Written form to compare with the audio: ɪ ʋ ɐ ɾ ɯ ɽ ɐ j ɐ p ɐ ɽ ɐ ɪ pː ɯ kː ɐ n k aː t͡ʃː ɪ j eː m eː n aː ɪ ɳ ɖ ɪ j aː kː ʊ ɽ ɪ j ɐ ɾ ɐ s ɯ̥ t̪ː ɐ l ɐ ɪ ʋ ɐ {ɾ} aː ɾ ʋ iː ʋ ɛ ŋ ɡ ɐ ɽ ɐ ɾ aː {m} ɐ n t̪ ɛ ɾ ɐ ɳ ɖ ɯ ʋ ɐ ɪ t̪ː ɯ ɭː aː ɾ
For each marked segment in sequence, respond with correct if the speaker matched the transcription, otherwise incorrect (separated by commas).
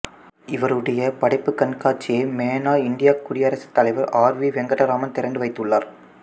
correct, correct